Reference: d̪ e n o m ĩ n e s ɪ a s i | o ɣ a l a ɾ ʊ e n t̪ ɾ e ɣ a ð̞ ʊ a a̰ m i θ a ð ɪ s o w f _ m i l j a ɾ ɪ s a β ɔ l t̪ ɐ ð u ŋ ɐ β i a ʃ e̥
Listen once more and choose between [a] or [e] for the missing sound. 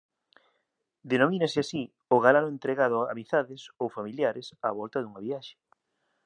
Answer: a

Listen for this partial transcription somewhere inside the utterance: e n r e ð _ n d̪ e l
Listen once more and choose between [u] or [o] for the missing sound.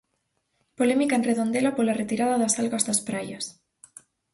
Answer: o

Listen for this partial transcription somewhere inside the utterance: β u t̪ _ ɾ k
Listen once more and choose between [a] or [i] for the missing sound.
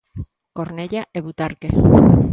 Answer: a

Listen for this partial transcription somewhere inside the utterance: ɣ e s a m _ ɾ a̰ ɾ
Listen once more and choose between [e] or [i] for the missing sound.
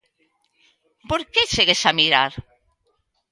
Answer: i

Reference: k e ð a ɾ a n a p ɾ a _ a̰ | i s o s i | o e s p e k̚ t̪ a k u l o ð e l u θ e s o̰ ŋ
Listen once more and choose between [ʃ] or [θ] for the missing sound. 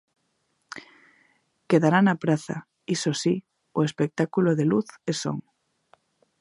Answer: θ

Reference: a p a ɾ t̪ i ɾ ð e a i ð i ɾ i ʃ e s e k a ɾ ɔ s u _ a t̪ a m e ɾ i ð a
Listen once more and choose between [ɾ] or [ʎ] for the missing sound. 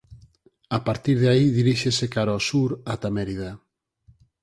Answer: ɾ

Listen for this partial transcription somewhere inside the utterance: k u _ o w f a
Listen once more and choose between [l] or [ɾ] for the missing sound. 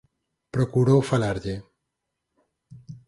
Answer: ɾ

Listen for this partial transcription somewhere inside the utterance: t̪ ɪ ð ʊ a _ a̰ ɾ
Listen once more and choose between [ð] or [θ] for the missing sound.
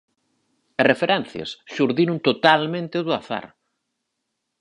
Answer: θ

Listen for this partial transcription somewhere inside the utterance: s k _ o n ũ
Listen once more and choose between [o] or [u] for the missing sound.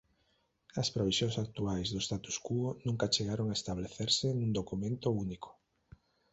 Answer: u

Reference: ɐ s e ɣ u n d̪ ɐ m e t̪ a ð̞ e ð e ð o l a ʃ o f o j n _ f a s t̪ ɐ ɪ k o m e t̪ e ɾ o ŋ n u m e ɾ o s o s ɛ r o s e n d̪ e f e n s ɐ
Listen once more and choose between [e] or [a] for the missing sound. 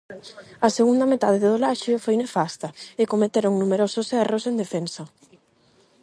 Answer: e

